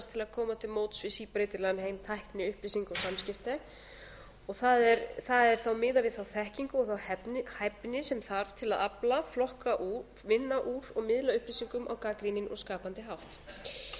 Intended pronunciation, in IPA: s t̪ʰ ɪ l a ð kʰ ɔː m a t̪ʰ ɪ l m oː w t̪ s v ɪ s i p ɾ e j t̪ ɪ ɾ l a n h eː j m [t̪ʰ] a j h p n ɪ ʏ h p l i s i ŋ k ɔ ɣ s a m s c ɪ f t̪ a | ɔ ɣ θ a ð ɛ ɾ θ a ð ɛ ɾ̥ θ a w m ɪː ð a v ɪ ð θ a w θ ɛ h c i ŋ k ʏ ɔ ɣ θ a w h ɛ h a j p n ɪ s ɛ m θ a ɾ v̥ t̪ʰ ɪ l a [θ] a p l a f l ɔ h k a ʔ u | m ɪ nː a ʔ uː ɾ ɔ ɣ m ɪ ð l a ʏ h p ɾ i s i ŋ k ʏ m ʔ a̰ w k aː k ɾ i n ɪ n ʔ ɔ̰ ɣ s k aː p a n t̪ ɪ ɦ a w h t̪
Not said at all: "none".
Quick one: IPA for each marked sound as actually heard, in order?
t̪ʰ, ð

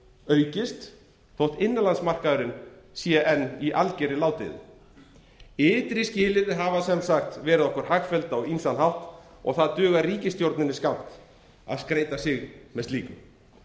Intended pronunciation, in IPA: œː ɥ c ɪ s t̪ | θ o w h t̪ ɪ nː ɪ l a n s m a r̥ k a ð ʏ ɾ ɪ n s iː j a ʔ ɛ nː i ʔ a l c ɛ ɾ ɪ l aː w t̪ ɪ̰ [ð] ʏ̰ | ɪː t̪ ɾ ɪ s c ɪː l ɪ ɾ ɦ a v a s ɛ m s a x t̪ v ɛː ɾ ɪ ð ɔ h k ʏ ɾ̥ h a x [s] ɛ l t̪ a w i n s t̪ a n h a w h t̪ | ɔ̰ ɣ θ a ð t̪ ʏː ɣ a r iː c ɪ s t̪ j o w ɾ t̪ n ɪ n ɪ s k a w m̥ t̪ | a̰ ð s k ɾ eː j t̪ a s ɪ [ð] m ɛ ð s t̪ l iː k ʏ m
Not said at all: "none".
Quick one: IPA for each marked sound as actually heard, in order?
ð, f, ɣ

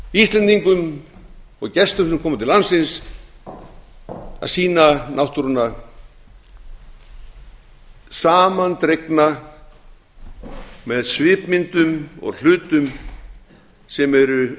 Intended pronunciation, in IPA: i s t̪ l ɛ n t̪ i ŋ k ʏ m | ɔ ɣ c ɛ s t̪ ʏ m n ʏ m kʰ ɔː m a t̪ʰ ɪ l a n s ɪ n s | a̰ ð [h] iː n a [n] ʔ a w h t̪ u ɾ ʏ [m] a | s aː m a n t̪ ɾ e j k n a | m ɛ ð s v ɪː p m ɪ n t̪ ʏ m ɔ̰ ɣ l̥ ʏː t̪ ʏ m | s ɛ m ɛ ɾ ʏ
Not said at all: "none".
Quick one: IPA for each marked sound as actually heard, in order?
s, n, n

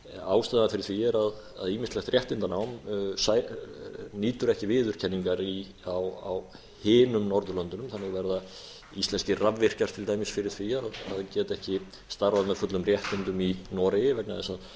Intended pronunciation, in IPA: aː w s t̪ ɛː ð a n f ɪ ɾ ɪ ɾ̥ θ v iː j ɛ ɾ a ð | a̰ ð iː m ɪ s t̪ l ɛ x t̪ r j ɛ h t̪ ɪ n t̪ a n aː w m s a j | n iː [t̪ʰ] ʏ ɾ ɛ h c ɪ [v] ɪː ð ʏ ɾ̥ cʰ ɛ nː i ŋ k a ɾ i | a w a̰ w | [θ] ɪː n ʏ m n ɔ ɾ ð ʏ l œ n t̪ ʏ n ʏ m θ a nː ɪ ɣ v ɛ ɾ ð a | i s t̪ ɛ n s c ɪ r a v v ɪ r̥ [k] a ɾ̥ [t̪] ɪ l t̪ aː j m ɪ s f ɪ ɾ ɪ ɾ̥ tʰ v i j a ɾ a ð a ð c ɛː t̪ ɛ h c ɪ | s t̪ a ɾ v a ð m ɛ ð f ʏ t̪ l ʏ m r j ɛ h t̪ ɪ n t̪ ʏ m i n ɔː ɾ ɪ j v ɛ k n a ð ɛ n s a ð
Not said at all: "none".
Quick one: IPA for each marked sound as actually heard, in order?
t̪, v, h, c, t̪ʰ

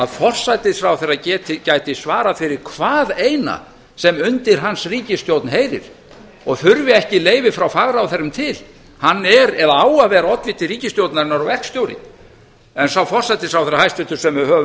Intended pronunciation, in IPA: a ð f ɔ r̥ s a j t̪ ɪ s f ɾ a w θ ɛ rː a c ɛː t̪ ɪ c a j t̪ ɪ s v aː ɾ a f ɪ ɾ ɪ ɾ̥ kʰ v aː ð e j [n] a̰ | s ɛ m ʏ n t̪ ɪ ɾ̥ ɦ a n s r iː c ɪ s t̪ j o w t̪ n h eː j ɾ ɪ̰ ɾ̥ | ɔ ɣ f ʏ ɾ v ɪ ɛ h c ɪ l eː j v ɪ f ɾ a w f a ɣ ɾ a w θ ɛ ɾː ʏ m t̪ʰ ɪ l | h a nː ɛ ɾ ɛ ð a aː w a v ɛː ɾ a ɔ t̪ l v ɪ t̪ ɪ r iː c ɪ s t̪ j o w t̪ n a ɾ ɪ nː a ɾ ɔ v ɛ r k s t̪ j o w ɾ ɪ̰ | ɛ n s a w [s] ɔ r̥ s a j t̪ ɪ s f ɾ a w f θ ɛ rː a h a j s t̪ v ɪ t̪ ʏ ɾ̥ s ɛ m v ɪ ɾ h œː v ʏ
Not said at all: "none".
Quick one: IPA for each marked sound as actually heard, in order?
n, f

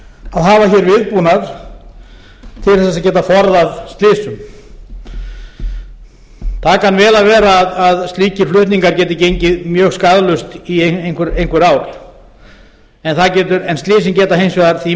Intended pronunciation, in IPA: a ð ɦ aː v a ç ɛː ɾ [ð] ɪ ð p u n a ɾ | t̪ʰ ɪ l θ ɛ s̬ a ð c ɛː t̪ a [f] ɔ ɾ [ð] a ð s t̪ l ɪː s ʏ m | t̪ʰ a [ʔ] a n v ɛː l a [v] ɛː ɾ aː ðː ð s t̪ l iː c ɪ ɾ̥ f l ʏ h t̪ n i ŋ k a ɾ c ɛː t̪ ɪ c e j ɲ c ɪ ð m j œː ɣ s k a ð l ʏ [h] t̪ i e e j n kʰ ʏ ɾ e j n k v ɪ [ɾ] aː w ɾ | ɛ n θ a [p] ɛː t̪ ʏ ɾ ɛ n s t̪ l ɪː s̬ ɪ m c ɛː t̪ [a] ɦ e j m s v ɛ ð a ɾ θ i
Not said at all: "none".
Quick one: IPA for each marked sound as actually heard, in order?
v, f, ð, k, v, s, ɾ, c, a

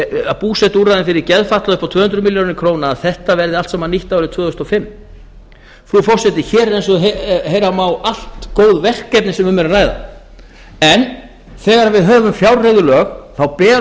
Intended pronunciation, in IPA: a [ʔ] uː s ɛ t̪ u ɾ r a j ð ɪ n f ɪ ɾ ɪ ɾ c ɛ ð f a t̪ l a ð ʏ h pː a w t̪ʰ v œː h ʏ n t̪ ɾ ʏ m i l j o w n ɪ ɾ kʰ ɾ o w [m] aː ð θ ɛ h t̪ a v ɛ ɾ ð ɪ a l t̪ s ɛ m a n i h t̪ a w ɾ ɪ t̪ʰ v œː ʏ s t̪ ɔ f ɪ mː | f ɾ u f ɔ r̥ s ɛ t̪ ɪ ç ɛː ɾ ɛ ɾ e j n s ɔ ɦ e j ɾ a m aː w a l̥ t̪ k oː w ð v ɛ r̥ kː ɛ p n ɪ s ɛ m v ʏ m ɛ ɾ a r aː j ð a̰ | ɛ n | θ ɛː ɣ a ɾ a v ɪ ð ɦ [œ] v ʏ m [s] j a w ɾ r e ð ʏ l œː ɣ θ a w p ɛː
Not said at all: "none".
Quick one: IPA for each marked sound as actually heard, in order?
p, n, œː, f

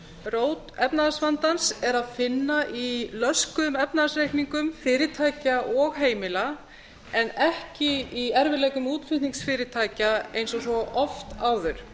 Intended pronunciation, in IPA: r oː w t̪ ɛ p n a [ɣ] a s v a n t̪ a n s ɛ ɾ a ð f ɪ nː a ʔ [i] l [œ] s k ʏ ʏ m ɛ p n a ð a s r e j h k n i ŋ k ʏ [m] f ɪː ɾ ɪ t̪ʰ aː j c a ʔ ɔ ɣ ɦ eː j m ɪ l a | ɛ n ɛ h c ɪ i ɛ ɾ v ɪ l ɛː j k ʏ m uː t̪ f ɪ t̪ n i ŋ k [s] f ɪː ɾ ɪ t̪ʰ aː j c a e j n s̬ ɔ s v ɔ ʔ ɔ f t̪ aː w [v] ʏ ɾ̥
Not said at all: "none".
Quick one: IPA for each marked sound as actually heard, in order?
ð, i, œ, m, s, ð

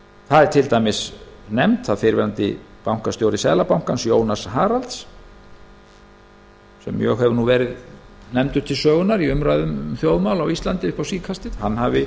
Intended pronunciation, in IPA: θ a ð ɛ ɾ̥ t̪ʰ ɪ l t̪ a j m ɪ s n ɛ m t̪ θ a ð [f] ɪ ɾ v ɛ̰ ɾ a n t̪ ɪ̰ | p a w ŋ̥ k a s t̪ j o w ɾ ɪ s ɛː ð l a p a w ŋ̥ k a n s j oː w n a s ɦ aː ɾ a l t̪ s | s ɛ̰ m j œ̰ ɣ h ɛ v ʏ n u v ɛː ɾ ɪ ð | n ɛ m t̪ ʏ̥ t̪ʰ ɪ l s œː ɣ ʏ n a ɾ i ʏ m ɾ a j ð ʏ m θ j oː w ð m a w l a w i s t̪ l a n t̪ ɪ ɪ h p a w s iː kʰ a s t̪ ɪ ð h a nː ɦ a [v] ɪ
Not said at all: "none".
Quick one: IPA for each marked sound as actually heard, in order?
f, v

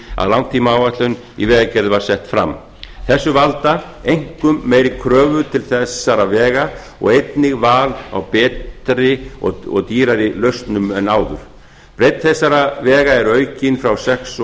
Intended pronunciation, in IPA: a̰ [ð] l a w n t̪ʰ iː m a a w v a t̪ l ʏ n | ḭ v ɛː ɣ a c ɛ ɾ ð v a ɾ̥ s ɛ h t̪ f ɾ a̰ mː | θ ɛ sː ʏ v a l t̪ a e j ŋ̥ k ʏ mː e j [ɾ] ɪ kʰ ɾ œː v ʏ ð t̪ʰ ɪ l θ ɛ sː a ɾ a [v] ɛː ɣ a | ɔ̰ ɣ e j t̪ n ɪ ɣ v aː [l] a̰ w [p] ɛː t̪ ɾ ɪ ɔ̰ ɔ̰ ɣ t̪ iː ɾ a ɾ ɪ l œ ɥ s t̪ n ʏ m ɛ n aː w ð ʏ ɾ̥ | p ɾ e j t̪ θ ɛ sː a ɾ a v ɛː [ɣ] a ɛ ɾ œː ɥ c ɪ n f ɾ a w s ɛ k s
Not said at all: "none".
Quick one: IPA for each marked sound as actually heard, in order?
ð, ɾ, v, l, p, ɣ

